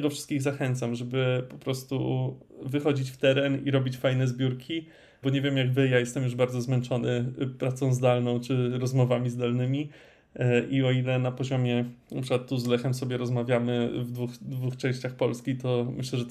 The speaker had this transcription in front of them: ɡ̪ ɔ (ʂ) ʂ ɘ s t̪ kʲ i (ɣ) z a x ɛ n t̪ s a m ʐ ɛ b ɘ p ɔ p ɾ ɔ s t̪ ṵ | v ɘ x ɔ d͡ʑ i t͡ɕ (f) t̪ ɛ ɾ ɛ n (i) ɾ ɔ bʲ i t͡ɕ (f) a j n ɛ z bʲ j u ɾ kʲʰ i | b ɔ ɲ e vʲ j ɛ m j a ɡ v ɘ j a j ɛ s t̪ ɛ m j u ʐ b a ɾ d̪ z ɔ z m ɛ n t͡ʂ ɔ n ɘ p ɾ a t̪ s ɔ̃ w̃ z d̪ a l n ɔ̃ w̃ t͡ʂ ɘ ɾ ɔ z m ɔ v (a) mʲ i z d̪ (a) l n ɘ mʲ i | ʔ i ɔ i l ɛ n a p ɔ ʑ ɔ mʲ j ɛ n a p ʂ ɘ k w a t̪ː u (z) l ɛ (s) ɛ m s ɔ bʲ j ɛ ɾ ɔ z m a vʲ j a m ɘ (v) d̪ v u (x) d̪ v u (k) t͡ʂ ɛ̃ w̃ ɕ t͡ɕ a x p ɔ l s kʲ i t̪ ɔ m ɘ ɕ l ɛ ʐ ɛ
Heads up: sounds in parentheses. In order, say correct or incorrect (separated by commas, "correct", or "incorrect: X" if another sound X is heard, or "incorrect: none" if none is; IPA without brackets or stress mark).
incorrect: f, correct, correct, correct, correct, correct, correct, correct, incorrect: x, correct, correct, incorrect: x